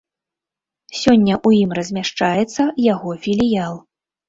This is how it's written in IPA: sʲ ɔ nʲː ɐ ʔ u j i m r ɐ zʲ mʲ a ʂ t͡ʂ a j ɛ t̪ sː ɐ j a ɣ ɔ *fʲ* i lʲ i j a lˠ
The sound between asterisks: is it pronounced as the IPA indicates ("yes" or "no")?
yes